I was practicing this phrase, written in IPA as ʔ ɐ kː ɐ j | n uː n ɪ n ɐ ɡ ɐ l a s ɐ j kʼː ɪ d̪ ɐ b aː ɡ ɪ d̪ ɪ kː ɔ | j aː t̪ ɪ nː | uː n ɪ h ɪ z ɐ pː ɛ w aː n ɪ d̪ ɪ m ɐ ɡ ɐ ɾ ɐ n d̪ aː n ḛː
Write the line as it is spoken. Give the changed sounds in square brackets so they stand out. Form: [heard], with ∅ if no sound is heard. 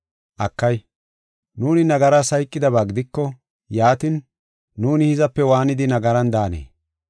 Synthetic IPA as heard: ʔ ɐ kː ɐ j | n uː n ɪ n ɐ ɡ ɐ [ɾ] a s ɐ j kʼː ɪ d̪ ɐ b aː ɡ ɪ d̪ ɪ kː ɔ | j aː t̪ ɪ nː | uː n ɪ h ɪ z ɐ pː ɛ w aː n ɪ d̪ ɪ [n] ɐ ɡ ɐ ɾ ɐ n d̪ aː n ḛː

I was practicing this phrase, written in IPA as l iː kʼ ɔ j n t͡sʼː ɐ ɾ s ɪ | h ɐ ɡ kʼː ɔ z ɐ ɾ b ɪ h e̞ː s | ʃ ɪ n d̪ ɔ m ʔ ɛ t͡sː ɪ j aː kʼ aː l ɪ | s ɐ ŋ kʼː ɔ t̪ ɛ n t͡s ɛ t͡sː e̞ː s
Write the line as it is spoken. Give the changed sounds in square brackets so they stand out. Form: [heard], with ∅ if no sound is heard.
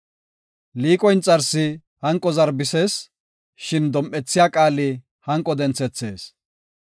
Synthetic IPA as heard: l iː kʼ ɔ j n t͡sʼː ɐ ɾ s ɪ | h ɐ [ŋ] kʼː ɔ z ɐ ɾ b ɪ [s] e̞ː s | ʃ ɪ n d̪ ɔ m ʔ ɛ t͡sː ɪ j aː kʼ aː l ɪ | [h] ɐ ŋ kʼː ɔ [d̪] ɛ n t͡s ɛ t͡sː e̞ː s

